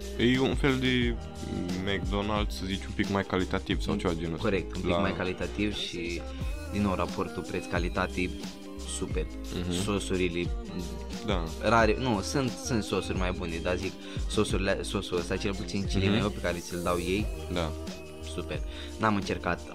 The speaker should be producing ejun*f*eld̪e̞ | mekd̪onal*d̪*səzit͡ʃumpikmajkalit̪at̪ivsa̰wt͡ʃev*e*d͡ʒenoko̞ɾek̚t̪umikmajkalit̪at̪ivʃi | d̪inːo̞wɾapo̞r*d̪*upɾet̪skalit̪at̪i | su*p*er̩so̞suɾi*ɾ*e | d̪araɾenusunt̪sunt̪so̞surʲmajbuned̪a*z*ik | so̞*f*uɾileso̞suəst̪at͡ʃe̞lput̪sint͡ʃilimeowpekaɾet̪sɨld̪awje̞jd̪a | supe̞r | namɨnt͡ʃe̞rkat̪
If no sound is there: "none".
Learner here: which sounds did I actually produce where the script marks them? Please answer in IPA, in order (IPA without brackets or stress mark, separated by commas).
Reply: f, d̪, a, t̪, p, l, z, s